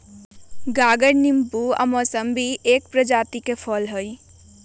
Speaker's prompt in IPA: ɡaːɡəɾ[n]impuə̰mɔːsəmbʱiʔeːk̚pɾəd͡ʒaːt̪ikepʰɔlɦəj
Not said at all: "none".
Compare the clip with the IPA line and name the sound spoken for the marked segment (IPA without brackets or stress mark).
n